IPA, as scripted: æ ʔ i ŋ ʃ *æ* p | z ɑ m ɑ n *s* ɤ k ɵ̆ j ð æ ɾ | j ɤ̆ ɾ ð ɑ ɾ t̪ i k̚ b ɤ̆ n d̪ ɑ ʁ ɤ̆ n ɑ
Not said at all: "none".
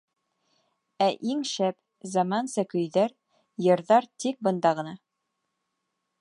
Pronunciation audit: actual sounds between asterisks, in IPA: æ, s

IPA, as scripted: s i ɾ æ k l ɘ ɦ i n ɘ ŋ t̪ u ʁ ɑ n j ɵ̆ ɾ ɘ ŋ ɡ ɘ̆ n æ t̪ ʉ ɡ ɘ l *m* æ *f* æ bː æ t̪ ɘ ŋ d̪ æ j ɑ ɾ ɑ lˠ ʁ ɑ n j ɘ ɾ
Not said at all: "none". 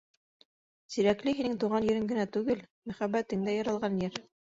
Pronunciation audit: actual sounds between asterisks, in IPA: m, χ

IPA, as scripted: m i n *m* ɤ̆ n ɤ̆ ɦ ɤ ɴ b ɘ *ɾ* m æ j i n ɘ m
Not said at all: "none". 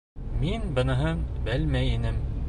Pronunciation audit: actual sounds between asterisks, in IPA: b, l

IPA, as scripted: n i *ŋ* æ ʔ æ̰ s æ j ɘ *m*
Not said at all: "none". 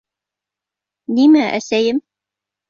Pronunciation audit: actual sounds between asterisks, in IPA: m, m

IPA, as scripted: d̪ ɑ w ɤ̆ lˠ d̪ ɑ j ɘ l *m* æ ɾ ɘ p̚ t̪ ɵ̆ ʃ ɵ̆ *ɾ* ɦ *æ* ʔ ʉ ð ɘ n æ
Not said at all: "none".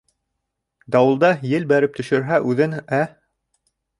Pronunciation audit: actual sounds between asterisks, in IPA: b, ɾ, æ

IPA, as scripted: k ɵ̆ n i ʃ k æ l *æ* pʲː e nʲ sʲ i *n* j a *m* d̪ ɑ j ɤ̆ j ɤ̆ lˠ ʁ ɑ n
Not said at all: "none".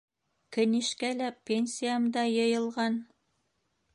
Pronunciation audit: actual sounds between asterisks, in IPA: æ, none, m

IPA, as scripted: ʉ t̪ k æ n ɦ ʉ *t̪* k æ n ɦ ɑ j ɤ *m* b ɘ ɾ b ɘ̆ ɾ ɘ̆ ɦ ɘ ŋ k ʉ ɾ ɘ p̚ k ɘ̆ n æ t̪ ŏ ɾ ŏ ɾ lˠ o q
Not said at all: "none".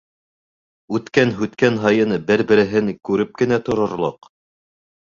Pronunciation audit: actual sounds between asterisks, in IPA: t̪, n

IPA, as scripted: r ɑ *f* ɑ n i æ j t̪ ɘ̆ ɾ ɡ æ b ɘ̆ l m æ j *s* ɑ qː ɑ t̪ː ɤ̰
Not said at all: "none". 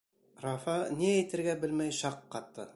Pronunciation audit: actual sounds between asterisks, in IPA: f, ʃ

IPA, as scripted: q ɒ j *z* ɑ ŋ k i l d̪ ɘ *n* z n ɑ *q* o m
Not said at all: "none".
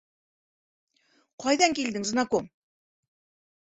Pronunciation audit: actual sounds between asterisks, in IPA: ð, ŋ, k

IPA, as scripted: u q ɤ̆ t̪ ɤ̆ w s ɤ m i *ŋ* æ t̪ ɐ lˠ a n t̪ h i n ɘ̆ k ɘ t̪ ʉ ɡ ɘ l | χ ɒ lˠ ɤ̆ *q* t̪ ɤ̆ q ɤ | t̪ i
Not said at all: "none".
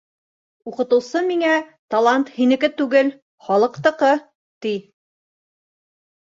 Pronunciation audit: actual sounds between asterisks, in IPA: ŋ, q

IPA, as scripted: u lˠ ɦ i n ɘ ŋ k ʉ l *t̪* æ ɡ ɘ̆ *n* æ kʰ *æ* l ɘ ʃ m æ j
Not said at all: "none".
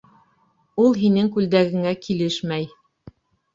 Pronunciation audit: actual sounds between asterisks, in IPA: d̪, ŋ, i

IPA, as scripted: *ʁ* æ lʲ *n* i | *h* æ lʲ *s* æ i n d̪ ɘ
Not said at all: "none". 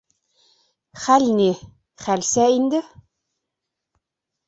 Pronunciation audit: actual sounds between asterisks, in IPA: χ, n, χ, s

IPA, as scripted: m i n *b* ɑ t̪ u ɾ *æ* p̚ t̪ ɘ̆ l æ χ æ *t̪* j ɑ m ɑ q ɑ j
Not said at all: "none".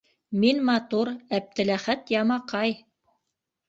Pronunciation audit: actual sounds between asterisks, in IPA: m, æ, t̪

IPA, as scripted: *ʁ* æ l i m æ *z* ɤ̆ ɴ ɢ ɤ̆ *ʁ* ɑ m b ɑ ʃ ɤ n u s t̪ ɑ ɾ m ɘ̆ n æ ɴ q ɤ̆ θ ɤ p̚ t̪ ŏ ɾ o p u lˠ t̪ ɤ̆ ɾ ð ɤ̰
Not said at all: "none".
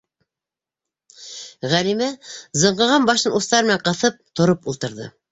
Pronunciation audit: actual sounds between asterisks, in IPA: ʁ, z, ʁ

